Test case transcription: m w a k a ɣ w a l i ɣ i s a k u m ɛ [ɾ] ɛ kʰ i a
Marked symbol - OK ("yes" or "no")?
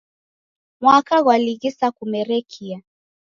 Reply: yes